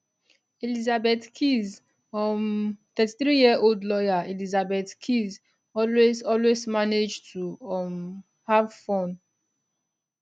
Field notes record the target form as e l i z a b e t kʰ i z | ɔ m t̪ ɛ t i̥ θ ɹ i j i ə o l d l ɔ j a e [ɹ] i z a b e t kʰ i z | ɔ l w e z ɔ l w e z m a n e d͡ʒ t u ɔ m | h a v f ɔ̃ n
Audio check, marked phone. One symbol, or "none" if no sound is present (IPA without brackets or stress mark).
l